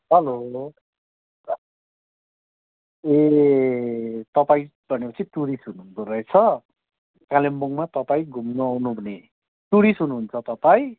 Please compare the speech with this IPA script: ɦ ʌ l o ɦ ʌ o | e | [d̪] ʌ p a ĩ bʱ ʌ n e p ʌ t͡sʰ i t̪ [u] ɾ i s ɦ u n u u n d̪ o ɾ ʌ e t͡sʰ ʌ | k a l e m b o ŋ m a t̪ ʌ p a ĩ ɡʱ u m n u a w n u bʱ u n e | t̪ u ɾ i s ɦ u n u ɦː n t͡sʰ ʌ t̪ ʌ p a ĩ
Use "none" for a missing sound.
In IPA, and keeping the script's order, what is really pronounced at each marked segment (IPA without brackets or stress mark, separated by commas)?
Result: t̪, u